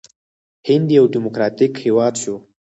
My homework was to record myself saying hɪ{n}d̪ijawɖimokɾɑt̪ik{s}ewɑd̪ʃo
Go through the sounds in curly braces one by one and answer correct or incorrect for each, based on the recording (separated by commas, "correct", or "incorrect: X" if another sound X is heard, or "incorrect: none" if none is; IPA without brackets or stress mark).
correct, incorrect: h